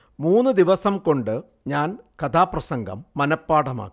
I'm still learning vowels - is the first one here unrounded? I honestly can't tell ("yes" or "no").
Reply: no